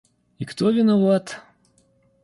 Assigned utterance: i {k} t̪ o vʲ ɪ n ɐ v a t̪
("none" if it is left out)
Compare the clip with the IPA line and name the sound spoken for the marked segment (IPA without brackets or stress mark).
k